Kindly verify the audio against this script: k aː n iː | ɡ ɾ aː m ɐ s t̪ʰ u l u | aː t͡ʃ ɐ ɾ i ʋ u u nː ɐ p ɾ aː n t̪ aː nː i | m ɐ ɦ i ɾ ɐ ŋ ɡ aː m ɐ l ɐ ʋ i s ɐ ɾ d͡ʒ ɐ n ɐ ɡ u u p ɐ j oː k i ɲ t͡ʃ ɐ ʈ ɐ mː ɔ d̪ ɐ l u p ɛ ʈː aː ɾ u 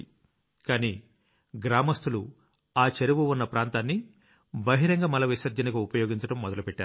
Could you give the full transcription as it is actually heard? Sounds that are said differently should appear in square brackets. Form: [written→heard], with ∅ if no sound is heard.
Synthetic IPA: k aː n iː | ɡ ɾ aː m ɐ s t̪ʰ u l u | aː t͡ʃ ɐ ɾ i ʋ u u nː ɐ p ɾ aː n t̪ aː nː i | [m→b] ɐ ɦ i ɾ ɐ ŋ ɡ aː m ɐ l ɐ ʋ i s ɐ ɾ d͡ʒ ɐ n ɐ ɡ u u p ɐ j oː [k→ɡ] i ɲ t͡ʃ ɐ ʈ ɐ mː ɔ d̪ ɐ l u p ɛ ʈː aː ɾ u

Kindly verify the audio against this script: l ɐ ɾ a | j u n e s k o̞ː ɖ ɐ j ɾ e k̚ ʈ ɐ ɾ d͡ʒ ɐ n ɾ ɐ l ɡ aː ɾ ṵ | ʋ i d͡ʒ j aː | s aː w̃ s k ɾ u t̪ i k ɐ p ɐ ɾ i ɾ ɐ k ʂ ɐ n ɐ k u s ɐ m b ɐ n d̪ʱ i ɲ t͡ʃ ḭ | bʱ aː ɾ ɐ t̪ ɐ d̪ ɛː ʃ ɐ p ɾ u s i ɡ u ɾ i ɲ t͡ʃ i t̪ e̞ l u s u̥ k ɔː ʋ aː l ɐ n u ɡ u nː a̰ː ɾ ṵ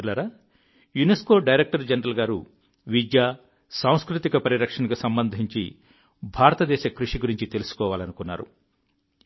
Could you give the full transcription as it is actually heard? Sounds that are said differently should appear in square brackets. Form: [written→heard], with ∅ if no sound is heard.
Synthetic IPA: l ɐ ɾ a | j u n e s k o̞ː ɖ ɐ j ɾ e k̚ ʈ ɐ ɾ d͡ʒ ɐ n ɾ ɐ l ɡ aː ɾ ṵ | ʋ i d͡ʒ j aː | s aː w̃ s k ɾ u t̪ i k ɐ p ɐ ɾ i ɾ ɐ k ʂ ɐ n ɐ k u s ɐ m b ɐ n d̪ʱ i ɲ t͡ʃ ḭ | bʱ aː ɾ ɐ t̪ ɐ d̪ ɛː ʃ ɐ [p→k] ɾ u [s→ʂ] i ɡ u ɾ i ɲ t͡ʃ i t̪ e̞ l u s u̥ k ɔː ʋ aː l ɐ n u [ɡ→k] u nː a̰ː ɾ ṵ

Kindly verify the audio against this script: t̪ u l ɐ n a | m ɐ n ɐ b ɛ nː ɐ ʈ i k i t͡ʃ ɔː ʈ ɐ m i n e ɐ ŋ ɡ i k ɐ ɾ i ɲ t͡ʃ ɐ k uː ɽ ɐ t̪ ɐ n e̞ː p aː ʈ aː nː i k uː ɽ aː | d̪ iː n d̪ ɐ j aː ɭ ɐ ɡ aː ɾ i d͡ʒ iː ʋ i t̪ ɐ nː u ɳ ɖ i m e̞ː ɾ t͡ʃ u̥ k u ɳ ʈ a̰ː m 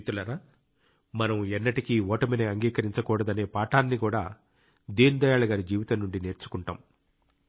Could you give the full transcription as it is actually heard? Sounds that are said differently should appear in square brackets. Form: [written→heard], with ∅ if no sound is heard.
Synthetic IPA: t̪ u l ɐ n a | m ɐ n ɐ [b→m] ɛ nː ɐ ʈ i k i [t͡ʃ→∅] ɔː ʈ ɐ m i n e ɐ ŋ ɡ [i→iː] k ɐ ɾ i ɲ t͡ʃ ɐ k uː ɽ ɐ [t̪→d̪] ɐ n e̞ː p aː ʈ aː nː i k uː ɽ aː | d̪ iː n d̪ ɐ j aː ɭ ɐ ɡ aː ɾ i d͡ʒ iː ʋ i t̪ ɐ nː u ɳ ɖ i [m→n] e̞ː ɾ t͡ʃ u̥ k u ɳ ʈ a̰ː m

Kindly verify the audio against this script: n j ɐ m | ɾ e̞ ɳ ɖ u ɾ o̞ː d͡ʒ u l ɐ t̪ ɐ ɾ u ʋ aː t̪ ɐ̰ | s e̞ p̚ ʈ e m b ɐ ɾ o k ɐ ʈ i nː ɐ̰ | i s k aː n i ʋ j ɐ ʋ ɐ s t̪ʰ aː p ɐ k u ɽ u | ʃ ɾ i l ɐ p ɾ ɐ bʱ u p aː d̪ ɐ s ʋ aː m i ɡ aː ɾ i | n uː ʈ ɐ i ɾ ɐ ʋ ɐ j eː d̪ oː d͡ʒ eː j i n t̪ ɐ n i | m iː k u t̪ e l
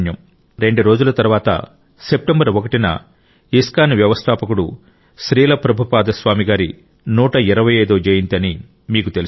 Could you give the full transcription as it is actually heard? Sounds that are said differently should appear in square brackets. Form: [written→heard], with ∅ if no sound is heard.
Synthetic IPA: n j ɐ m | ɾ e̞ ɳ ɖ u ɾ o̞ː d͡ʒ u l ɐ t̪ ɐ ɾ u ʋ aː t̪ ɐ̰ | s e̞ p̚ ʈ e m b ɐ ɾ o k ɐ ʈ i [nː→n] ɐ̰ | i s k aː n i ʋ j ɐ ʋ ɐ s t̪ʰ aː p ɐ k u ɽ u | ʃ ɾ [i→iː] l ɐ p ɾ ɐ bʱ u p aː d̪ ɐ s ʋ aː m i ɡ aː ɾ i | n uː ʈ ɐ i ɾ ɐ ʋ ɐ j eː d̪ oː d͡ʒ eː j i n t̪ ɐ n i | m iː k u t̪ e l

